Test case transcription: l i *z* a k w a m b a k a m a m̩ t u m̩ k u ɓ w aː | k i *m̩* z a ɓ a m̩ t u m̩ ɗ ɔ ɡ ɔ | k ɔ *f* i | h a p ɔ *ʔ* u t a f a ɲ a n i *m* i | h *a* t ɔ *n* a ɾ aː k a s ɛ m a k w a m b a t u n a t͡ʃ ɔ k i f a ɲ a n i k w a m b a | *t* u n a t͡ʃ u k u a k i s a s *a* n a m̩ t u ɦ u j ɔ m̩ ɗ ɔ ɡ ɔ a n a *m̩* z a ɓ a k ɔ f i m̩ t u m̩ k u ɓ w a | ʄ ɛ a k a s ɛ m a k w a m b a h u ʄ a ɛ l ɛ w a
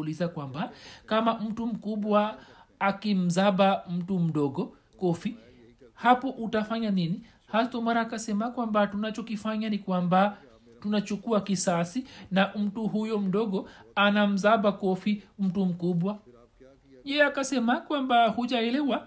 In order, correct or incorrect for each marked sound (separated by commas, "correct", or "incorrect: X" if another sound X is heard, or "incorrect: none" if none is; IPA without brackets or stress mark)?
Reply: correct, correct, correct, correct, incorrect: n, correct, incorrect: m, correct, incorrect: i, correct